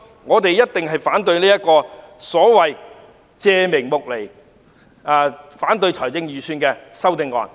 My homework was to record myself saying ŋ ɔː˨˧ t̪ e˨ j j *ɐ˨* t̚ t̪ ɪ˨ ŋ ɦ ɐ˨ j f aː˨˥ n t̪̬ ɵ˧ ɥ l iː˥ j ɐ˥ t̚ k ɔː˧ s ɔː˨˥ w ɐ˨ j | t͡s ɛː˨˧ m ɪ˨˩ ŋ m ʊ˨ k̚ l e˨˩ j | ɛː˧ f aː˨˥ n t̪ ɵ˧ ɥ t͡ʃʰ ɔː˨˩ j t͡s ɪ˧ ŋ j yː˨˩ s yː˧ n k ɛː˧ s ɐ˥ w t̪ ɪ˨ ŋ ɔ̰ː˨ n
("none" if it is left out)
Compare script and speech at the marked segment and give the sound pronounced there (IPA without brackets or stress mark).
ɐ˥